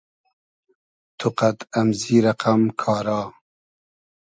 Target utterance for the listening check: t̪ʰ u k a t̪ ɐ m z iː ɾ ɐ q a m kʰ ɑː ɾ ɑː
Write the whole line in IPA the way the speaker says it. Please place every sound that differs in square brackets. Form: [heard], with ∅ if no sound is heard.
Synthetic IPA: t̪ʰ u [q] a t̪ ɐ m z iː ɾ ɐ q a m kʰ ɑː ɾ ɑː